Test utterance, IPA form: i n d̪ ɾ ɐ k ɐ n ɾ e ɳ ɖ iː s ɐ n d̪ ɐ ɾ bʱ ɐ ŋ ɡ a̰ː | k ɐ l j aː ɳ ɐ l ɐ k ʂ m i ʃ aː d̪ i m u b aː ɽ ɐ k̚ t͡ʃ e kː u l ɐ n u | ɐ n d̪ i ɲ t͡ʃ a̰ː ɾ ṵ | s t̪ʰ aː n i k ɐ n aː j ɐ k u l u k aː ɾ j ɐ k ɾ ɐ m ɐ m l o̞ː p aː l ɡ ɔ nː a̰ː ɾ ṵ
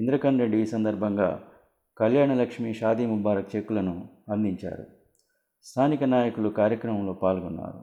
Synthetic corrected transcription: i n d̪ ɾ ɐ k ɐ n ɾ e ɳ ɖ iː s ɐ n d̪ ɐ ɾ bʱ ɐ ŋ ɡ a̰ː | k ɐ l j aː ɳ ɐ l ɐ k ʂ m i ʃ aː d̪ i m u b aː ɾ ɐ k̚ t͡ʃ e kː u l ɐ n u | ɐ n d̪ i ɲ t͡ʃ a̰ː ɾ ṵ | s t̪ʰ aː n i k ɐ n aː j ɐ k u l u k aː ɾ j ɐ k ɾ ɐ m ɐ m l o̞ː p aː l ɡ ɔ nː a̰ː ɾ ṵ